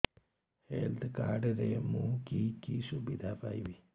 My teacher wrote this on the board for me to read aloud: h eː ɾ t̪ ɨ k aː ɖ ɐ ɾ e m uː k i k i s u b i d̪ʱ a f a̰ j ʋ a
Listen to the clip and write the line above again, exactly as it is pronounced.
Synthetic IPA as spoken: h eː l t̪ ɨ k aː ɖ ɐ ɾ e m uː k i k i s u b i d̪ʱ a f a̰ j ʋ i